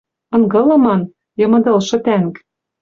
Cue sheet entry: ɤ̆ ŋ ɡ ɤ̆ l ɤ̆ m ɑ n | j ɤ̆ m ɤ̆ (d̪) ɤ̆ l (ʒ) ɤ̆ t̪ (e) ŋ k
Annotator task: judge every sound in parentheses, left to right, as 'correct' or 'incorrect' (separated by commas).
correct, incorrect, incorrect